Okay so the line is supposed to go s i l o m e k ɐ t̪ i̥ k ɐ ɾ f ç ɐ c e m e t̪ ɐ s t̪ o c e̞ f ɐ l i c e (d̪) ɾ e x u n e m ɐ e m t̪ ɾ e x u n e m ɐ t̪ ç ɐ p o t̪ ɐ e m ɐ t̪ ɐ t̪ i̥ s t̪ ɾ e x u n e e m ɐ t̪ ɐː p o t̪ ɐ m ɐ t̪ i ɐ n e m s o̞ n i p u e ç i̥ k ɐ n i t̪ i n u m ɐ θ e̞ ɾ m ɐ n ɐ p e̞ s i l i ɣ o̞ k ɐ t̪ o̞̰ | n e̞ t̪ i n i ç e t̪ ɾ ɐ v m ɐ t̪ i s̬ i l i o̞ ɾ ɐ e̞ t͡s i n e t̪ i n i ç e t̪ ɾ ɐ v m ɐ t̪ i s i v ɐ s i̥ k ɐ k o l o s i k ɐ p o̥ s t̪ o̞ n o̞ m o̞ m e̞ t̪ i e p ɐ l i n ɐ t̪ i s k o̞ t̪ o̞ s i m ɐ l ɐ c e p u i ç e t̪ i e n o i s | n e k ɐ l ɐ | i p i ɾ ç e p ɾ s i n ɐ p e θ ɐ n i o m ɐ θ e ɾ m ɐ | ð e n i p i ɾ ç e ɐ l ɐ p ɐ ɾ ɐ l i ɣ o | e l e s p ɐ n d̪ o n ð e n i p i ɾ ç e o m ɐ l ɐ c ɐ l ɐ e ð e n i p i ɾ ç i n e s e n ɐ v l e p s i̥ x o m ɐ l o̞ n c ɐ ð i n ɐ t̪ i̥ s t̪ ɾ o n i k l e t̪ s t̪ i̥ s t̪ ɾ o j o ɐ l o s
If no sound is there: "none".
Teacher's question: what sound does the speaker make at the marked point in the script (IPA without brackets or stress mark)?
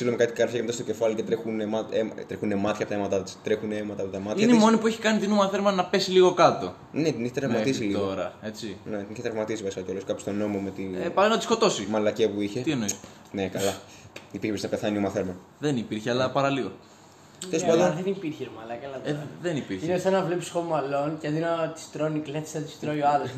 t̪